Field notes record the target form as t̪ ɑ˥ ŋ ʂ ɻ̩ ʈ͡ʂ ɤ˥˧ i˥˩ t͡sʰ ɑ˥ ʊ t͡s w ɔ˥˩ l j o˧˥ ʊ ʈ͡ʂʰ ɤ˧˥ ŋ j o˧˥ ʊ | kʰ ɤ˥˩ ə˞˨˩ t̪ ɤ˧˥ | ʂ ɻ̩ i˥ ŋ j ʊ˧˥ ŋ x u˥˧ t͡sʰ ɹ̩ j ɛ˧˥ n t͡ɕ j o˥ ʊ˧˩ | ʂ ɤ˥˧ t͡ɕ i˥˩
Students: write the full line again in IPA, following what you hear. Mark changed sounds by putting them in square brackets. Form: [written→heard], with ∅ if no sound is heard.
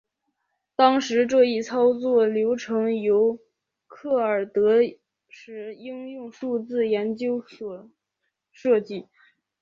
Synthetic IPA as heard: t̪ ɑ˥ ŋ ʂ ɻ̩ ʈ͡ʂ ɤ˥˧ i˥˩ t͡sʰ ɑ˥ ʊ t͡s w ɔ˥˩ l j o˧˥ ʊ ʈ͡ʂʰ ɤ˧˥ ŋ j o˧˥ ʊ | kʰ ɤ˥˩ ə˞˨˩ t̪ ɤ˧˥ | ʂ ɻ̩ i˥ ŋ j [ʊ˧˥→ʊ˥˧] ŋ [x→ʂ] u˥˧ [t͡sʰ→t͡s] ɹ̩ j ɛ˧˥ n t͡ɕ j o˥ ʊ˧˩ | ʂ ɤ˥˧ t͡ɕ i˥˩